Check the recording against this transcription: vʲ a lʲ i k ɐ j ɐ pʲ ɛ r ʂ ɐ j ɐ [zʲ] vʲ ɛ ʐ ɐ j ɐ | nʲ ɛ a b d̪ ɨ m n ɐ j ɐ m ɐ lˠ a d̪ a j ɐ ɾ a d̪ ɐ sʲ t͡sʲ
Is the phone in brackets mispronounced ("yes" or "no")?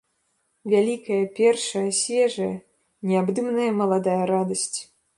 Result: yes